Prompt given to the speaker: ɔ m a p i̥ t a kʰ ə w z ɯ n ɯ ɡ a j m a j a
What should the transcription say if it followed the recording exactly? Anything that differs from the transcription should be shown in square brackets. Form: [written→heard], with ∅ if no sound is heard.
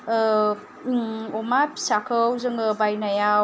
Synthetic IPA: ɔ m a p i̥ [t→s] a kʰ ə w z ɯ [n→ŋ] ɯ [ɡ→b] a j [m→n] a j a